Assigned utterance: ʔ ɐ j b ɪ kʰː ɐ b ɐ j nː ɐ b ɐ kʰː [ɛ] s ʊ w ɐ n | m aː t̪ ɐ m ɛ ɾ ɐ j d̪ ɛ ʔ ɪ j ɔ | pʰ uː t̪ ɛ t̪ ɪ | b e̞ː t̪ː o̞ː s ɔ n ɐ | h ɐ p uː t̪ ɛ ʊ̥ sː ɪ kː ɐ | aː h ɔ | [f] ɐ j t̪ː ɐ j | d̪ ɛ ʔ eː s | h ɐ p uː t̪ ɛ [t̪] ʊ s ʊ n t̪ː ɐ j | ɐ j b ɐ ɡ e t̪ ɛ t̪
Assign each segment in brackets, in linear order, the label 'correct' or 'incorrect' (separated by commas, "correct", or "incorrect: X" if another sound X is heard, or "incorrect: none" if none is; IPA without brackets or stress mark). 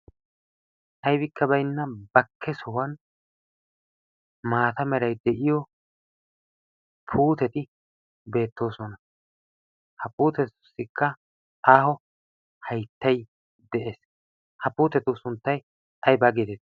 correct, incorrect: h, correct